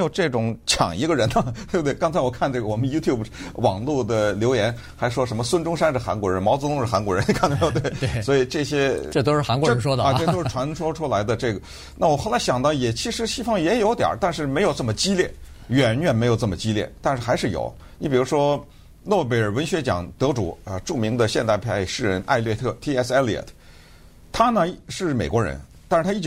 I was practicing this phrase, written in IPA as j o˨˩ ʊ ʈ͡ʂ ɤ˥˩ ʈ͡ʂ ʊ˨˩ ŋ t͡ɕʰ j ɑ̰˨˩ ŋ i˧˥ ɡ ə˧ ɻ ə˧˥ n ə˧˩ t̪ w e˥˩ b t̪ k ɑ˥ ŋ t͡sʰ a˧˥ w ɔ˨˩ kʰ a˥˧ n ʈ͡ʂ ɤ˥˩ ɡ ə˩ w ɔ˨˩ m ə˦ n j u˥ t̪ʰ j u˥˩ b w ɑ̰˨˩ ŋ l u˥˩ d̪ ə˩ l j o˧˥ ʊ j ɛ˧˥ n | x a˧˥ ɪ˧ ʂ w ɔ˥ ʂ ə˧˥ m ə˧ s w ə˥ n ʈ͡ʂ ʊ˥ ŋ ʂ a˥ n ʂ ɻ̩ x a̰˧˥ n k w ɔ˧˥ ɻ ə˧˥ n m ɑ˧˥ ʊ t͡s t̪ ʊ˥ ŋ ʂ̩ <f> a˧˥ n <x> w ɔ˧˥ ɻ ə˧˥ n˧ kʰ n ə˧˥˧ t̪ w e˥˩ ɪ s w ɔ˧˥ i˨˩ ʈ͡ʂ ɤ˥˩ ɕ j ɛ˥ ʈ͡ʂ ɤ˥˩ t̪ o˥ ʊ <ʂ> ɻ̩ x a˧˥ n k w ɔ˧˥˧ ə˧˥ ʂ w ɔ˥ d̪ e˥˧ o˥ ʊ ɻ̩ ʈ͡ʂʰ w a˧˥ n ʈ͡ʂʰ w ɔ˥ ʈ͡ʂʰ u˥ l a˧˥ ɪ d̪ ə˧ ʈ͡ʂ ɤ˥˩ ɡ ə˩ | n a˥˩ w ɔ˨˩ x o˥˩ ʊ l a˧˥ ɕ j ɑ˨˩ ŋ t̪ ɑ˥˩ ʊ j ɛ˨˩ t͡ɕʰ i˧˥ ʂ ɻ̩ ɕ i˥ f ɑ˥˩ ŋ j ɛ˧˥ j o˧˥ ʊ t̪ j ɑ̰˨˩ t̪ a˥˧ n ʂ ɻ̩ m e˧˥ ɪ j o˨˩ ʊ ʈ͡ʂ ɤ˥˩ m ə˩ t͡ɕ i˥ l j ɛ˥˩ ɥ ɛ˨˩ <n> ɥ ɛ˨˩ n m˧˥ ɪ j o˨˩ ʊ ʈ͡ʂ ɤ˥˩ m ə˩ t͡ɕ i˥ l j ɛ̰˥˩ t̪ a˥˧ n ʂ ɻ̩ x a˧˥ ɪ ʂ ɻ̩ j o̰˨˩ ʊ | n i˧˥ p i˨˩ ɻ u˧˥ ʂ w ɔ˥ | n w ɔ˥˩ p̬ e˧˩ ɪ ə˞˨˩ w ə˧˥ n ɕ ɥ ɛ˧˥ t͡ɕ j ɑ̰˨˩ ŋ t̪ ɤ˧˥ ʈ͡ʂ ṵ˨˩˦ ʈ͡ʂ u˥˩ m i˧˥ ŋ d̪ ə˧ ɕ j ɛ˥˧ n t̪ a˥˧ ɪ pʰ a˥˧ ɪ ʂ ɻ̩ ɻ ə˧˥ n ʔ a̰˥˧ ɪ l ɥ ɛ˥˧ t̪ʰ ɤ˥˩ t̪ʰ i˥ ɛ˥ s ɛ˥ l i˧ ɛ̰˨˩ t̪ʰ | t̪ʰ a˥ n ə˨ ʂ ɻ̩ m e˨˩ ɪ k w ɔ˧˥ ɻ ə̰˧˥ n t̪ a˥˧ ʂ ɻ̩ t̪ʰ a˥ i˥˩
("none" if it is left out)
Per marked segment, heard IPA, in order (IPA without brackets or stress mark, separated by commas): x, k, ʂ, n